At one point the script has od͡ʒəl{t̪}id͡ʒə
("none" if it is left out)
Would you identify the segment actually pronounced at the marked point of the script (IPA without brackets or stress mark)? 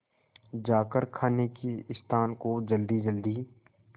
d̪